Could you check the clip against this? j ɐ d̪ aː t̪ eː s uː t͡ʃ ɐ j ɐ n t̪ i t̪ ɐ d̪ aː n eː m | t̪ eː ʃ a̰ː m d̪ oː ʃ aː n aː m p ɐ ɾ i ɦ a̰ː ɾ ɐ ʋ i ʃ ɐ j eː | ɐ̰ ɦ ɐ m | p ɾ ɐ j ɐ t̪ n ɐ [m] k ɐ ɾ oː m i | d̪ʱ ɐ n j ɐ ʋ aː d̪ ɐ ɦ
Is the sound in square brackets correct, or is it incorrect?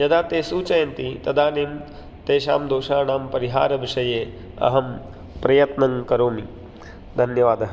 incorrect